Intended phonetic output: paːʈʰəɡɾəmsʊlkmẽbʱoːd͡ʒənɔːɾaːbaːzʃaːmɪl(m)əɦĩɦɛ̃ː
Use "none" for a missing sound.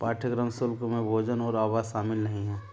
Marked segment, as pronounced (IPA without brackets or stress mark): n